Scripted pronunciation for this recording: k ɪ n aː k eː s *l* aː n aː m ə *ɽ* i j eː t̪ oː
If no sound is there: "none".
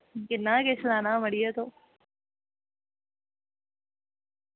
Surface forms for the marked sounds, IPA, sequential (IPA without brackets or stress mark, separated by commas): l, ɽ